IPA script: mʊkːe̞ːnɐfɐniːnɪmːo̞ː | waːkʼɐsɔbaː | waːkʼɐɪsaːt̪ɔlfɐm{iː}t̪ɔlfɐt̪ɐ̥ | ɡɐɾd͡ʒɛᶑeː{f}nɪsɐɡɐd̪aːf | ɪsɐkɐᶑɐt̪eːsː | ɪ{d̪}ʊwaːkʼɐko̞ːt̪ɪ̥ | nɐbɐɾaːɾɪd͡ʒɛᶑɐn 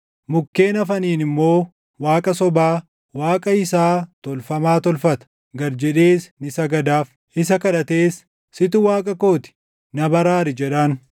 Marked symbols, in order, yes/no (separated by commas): no, no, no